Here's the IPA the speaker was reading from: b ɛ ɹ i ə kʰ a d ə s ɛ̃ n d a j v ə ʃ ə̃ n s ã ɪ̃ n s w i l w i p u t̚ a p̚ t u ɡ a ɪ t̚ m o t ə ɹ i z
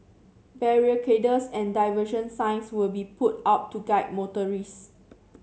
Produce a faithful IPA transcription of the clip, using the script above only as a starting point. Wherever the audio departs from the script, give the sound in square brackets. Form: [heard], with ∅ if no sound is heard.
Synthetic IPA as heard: b ɛ ɹ i ə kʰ [e] d ə s ɛ̃ n d a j v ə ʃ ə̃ n s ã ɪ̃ n s w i l [b] i p u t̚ a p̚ t u ɡ a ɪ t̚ m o t ə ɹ i [s]

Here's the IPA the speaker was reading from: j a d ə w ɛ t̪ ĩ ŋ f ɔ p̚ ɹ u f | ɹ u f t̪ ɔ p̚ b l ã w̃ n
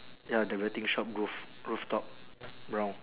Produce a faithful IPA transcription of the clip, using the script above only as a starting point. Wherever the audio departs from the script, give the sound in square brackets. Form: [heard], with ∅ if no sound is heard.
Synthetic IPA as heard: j a d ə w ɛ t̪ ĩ ŋ [ʃ] ɔ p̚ ɹ u f | ɹ u f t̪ ɔ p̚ b [ɹ] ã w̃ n

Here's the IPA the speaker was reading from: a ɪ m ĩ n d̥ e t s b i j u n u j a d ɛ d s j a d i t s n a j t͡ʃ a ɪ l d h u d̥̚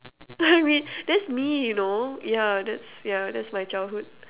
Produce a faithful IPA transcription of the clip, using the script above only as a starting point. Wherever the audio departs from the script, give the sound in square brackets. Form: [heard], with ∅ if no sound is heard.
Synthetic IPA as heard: a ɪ m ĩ n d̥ [ɛ] t s [m] i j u n [o] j a d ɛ [t] s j a d [ɛ] t s [m] a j t͡ʃ a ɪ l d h u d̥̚

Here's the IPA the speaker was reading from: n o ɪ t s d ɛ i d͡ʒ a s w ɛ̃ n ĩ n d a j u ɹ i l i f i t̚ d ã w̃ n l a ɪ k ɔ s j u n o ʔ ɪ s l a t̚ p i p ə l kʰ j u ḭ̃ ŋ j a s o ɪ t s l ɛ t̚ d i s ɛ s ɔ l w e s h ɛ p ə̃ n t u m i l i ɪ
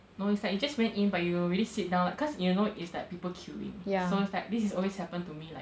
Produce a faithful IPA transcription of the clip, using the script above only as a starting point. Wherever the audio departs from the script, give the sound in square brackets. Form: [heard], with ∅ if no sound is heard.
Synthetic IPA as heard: n o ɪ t s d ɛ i d͡ʒ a s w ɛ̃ n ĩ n [b] a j u ɹ i l i [s] i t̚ d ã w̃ n l a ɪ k ɔ s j u n o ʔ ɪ s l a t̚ p i p ə l kʰ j u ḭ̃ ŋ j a s o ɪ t s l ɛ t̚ d i s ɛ s ɔ l w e s h ɛ p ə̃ n t u m i l [a] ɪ

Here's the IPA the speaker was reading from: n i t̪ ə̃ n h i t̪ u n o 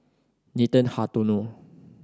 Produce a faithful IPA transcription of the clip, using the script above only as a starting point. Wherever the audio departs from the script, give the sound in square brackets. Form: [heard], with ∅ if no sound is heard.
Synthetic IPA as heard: n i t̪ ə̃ n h [a] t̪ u n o

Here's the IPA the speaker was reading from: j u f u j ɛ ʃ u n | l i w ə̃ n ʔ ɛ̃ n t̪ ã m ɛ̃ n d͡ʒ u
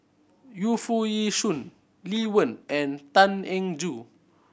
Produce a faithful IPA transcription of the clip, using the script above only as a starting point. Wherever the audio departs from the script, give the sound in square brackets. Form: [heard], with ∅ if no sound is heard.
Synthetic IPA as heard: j u f u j [i] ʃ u n | l i w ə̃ n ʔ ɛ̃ n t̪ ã [n] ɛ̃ [ŋ] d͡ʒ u

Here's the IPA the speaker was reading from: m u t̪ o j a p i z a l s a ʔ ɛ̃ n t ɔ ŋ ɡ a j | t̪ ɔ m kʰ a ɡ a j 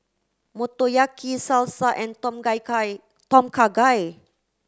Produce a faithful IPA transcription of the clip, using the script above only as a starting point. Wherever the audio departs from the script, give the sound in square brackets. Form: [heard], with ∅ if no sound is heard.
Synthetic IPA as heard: m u t̪ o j a [k] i [s] a l s a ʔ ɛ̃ n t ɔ [m] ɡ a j | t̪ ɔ m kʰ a ɡ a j

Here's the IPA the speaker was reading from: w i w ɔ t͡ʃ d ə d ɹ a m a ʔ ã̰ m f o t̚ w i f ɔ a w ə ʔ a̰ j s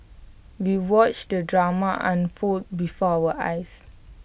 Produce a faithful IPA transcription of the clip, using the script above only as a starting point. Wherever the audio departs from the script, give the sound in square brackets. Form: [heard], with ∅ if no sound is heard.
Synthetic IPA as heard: w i w ɔ t͡ʃ d ə d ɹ a m a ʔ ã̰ [n] f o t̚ [b] i f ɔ a w ə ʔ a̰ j s

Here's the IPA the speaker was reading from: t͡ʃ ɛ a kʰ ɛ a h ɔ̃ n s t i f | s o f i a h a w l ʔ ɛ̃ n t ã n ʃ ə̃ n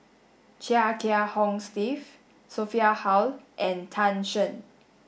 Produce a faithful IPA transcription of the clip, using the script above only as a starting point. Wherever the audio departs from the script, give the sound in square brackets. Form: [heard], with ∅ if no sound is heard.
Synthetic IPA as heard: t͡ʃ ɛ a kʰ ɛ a h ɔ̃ [ŋ] s t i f | s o f i a h a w l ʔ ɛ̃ n [tʰ] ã n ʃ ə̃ n

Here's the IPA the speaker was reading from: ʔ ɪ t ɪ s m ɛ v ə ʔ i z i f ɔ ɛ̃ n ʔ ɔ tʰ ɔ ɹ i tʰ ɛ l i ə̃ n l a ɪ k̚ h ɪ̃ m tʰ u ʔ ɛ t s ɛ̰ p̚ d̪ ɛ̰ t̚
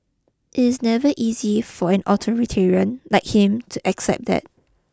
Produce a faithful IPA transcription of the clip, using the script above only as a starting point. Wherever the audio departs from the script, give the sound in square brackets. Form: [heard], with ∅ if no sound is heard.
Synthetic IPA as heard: ʔ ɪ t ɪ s [n] ɛ v ə ʔ i z i f ɔ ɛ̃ n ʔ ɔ tʰ ɔ ɹ i tʰ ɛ [ɹ] i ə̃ n l a ɪ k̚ h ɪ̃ m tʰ u ʔ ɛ [k] s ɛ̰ p̚ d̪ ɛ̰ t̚

